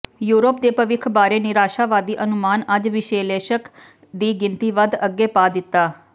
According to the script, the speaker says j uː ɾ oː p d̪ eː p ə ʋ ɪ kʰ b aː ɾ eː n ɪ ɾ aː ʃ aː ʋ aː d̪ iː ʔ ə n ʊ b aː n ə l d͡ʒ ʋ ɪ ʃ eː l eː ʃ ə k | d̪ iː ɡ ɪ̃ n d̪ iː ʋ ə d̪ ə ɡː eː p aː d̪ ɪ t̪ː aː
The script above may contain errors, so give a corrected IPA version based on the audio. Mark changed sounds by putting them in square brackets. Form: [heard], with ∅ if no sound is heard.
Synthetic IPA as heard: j uː ɾ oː p d̪ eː p ə ʋ ɪ kʰ b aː ɾ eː n ɪ ɾ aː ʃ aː ʋ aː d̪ iː ʔ ə n ʊ [m] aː n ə [∅] d͡ʒ ʋ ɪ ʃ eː l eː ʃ ə k | d̪ iː ɡ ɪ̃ n [t̪] iː ʋ ə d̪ ə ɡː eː p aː d̪ ɪ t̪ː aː